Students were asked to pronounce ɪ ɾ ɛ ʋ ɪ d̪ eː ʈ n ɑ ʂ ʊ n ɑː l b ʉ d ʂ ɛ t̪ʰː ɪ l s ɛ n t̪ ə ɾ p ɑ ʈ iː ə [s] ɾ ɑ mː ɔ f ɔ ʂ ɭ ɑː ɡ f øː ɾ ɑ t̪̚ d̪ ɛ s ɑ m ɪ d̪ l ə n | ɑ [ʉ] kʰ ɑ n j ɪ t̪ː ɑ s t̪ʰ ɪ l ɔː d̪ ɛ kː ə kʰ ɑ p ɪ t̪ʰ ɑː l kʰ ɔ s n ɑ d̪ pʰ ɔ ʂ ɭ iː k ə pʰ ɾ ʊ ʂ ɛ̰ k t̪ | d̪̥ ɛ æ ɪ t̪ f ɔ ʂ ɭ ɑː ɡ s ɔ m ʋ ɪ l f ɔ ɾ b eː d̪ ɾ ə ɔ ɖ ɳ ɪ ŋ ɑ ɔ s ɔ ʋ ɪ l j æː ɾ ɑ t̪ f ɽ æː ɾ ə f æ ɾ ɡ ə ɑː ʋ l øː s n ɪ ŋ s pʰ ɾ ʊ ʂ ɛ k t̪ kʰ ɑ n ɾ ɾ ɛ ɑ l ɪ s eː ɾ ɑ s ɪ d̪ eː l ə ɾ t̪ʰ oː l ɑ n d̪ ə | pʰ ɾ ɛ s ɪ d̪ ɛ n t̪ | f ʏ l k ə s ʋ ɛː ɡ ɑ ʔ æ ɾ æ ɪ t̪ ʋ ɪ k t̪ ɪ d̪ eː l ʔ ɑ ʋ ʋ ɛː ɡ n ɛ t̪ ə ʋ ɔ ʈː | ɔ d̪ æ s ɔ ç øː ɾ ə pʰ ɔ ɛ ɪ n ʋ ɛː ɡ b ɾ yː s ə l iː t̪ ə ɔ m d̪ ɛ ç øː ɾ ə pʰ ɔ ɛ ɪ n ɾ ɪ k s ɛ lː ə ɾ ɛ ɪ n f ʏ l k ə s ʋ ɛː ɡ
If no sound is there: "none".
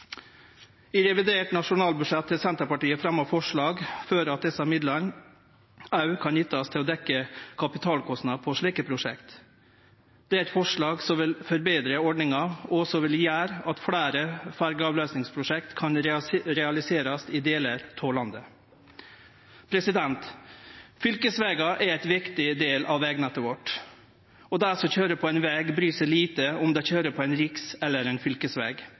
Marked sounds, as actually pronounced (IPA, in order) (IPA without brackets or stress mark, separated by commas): f, ʉ